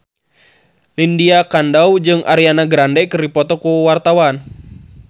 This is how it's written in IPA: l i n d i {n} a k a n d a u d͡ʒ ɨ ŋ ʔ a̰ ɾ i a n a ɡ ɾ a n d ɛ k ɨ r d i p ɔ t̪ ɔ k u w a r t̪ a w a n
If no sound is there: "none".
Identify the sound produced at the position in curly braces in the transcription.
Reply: none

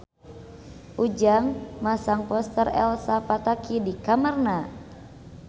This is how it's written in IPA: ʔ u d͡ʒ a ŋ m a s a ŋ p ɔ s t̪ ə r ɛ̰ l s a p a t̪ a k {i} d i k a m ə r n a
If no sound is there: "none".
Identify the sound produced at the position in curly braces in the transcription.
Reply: i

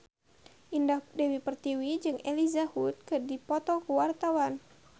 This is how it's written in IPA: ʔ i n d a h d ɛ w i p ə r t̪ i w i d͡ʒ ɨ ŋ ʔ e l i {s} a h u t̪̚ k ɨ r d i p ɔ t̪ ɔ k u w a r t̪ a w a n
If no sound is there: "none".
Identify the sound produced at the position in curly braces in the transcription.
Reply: z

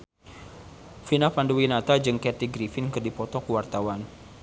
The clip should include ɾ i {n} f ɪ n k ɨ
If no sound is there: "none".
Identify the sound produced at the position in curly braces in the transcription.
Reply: none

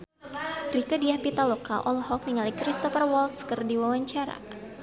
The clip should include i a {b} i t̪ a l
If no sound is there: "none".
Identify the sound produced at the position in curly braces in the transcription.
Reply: p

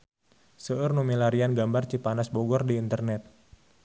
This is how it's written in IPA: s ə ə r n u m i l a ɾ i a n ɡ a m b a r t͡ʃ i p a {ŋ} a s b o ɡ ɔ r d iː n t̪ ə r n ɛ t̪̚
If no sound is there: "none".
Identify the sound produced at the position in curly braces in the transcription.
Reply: n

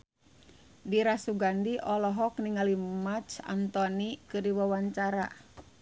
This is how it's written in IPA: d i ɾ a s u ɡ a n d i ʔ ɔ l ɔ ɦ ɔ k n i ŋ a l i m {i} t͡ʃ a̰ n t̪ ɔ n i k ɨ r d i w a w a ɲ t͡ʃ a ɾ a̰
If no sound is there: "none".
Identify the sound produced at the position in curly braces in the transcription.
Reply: a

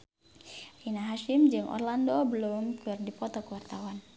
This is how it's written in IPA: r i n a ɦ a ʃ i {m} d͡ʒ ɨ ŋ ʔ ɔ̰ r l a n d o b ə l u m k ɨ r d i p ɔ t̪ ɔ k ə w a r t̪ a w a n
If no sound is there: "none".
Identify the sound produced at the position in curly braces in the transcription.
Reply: m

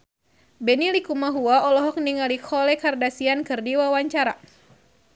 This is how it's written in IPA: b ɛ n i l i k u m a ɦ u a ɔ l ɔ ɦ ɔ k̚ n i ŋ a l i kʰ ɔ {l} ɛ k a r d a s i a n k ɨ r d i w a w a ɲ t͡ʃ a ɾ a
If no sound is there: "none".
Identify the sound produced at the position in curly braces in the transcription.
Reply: l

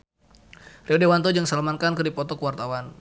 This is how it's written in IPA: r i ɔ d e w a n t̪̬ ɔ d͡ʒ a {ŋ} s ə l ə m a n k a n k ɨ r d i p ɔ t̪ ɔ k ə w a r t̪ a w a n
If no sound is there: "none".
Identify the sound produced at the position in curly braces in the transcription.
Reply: ŋ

